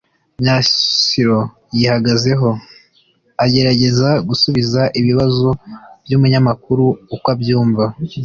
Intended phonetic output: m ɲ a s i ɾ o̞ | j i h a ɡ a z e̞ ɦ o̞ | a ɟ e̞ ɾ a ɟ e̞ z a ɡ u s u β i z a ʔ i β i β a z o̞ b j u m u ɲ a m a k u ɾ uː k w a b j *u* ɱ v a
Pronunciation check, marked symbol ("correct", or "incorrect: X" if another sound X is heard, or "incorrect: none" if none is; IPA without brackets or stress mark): incorrect: uː